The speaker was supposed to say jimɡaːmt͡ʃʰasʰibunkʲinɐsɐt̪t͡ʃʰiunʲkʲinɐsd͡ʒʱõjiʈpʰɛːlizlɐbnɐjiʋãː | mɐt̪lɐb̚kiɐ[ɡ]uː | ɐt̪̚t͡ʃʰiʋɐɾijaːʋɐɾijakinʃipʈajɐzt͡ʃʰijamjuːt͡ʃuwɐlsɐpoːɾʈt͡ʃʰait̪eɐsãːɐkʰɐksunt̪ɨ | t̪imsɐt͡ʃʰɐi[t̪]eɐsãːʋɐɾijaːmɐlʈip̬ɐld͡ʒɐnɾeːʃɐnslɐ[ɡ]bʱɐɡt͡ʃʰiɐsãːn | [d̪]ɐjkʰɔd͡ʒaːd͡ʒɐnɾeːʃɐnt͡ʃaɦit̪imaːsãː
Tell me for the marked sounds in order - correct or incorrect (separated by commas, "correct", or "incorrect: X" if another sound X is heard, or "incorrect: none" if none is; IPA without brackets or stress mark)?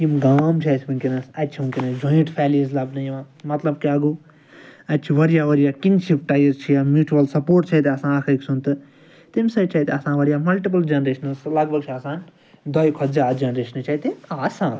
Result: correct, correct, correct, correct